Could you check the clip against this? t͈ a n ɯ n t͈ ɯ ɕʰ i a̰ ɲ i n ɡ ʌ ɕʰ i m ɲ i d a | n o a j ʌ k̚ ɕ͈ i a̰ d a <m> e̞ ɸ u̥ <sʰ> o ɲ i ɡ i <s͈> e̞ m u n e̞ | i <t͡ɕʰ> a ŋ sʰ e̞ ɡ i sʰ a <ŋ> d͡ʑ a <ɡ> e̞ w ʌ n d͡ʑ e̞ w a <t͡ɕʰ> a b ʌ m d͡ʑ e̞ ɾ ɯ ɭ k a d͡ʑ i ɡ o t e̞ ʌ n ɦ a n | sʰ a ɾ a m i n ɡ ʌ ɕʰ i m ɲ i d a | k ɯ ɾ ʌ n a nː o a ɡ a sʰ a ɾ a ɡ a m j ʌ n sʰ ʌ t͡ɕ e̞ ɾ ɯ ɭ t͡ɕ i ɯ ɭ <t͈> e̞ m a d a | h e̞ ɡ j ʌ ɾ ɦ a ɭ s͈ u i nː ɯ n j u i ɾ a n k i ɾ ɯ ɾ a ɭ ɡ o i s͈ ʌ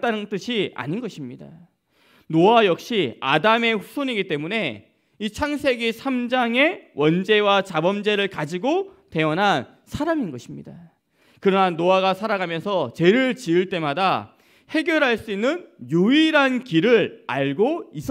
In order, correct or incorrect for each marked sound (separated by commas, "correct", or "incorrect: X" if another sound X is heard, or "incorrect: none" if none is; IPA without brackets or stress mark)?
correct, correct, incorrect: t͈, correct, incorrect: m, incorrect: ŋ, incorrect: t͡ɕ, correct